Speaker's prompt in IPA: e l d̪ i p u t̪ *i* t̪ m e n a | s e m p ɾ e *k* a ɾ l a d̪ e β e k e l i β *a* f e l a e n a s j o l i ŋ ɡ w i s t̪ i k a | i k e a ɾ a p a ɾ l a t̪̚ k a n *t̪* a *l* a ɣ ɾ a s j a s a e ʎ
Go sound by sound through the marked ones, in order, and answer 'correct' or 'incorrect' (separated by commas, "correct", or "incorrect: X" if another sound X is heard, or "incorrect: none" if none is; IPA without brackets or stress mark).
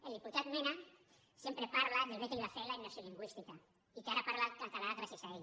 incorrect: a, incorrect: p, correct, correct, correct